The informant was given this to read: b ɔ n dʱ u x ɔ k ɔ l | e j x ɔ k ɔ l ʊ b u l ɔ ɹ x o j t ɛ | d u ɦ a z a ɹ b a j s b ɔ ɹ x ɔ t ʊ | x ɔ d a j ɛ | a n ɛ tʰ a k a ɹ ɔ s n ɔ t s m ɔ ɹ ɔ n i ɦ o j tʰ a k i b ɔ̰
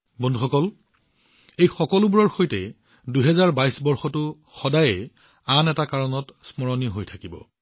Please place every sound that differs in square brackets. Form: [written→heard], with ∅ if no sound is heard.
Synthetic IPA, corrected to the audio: b ɔ n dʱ u x ɔ k ɔ l | e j x ɔ k ɔ l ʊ b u [l→ɹ] ɔ ɹ x o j t ɛ | d u ɦ [a→ɛ] z a ɹ b a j s b ɔ ɹ x ɔ t ʊ | x ɔ d a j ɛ | a n ɛ [tʰ→t] a k a ɹ ɔ [s→∅] n ɔ t s m ɔ ɹ ɔ n i ɦ o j tʰ a k i b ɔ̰

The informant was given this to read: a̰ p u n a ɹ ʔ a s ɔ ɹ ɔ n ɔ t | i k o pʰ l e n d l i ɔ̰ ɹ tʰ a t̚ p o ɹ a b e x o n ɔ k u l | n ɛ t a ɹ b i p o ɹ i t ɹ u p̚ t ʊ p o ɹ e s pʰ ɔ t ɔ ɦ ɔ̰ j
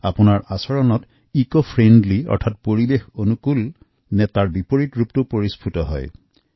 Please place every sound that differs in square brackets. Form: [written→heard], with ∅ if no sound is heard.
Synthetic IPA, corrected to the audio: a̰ p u n a ɹ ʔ a s ɔ ɹ ɔ n ɔ t | i k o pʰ [l→ɹ] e n d l i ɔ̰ ɹ tʰ a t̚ p o ɹ [a→i] b e x o n [ɔ→u] k u l | n ɛ t a ɹ b i p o ɹ i t ɹ u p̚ t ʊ p o ɹ [e→i] s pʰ [ɔ→u] t ɔ ɦ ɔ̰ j

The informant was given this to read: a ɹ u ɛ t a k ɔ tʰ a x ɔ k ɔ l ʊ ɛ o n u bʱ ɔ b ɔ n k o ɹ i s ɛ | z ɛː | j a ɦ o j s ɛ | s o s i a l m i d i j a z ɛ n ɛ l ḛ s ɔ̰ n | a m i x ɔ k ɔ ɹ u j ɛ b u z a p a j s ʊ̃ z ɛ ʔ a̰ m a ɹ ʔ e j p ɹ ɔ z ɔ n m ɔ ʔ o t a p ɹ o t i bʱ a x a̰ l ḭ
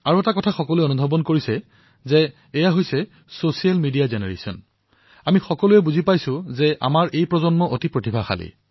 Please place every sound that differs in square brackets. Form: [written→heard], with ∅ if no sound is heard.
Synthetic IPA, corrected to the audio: a ɹ u ɛ t a k ɔ tʰ a x ɔ k ɔ l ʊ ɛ o n u bʱ ɔ b ɔ n k o ɹ i s ɛ | z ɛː | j a ɦ o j s ɛ | s o s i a l m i d i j a z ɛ n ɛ [l→ɹ] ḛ s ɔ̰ n | a m i x ɔ k ɔ [ɹ→l] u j ɛ b u z [a→i] p a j s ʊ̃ z ɛ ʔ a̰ m a ɹ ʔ e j p ɹ ɔ z ɔ n m ɔ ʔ o t [a→i] p ɹ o t i bʱ a x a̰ l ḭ

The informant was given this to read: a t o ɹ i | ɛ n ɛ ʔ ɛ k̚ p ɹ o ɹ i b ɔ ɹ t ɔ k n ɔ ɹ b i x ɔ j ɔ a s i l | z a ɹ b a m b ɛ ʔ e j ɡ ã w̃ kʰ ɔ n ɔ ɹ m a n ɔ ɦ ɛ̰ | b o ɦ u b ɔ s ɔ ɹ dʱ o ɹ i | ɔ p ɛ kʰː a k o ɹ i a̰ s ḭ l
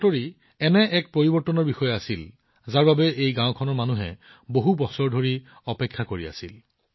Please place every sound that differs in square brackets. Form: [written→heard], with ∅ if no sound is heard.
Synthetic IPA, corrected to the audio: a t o ɹ i | ɛ n ɛ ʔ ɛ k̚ p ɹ o ɹ i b ɔ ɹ t ɔ [k→∅] n ɔ ɹ b i x ɔ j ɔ a s i l | z a ɹ b a [m→∅] b ɛ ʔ e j ɡ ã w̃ kʰ ɔ n ɔ ɹ m a n [ɔ→u] ɦ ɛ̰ | b o ɦ u b ɔ s ɔ ɹ dʱ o ɹ i | ɔ p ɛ kʰː a k o ɹ i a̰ s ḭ l

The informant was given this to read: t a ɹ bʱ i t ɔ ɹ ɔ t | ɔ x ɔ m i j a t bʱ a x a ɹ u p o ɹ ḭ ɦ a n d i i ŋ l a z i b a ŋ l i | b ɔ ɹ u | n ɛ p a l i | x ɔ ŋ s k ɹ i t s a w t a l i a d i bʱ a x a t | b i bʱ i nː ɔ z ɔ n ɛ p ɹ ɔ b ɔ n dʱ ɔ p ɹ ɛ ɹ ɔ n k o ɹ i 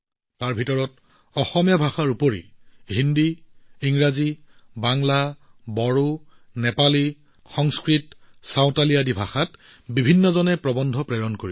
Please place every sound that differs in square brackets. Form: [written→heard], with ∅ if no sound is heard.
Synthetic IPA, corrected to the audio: t a ɹ bʱ i t ɔ ɹ ɔ t | ɔ x ɔ m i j a [t→∅] bʱ a x a ɹ u p o ɹ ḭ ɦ [a→i] n d i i ŋ [l→ɹ] a z i b a ŋ l [i→a] | b ɔ ɹ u | n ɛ p a l i | x ɔ ŋ s k ɹ i t s a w t a l i a d i bʱ a x a t | b i bʱ i nː ɔ z ɔ n ɛ p ɹ ɔ b ɔ n dʱ ɔ p ɹ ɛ ɹ ɔ n k o ɹ i

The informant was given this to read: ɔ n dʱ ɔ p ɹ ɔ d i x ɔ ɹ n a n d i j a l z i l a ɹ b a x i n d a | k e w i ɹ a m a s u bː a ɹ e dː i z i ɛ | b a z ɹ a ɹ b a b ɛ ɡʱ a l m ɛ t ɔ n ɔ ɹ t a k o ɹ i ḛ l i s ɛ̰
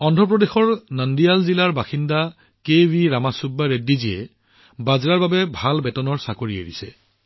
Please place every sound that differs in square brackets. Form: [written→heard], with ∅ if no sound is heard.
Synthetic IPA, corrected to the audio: ɔ n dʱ ɔ p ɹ ɔ d [i→e] x ɔ ɹ n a n d i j a l z i l a ɹ b a x i n d a | k e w i ɹ a m a s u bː a ɹ e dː i z i ɛ | b a z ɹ a ɹ b a b ɛ [ɡʱ→bʱ] a l [m→b] ɛ t ɔ n ɔ ɹ [t→s] a k o ɹ i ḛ [l→ɹ] i s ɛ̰

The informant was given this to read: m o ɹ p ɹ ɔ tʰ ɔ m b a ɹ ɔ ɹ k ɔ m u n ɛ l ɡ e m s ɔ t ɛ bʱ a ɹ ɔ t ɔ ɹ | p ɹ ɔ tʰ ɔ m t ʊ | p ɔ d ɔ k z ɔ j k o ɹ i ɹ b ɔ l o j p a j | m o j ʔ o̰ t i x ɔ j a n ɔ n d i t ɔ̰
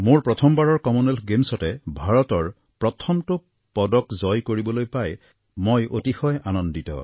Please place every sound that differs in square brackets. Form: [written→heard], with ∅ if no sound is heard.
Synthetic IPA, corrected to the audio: m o ɹ p ɹ ɔ tʰ ɔ m b a ɹ ɔ ɹ k ɔ m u n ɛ l ɡ e m s ɔ t ɛ bʱ a ɹ ɔ t ɔ ɹ | p ɹ ɔ tʰ ɔ m t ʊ | p ɔ d ɔ k z ɔ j k o ɹ i [ɹ→∅] b ɔ l o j p a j | m o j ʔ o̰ t i x ɔ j a n ɔ n d i t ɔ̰

